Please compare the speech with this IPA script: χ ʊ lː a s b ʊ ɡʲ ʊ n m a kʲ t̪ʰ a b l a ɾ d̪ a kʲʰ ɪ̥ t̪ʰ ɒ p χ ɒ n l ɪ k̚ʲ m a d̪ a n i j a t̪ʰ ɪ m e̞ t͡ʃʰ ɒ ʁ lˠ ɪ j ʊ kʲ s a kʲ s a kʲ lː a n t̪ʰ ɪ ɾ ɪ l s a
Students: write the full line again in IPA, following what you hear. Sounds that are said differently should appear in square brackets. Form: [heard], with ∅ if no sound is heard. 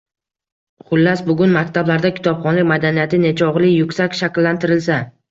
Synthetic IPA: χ ʊ lː a s b ʊ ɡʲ ʊ n m a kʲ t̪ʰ a b l a ɾ d̪ a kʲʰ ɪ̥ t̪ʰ ɒ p χ ɒ n l ɪ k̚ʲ m a d̪ a n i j a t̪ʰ ɪ [n] e̞ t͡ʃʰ ɒ ʁ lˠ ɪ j ʊ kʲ s a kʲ [ʃ] a kʲ lː a n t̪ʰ ɪ ɾ ɪ l s a